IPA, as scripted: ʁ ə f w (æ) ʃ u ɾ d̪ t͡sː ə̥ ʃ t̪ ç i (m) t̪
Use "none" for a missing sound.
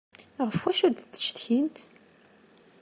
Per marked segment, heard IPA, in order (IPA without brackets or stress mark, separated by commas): æ, n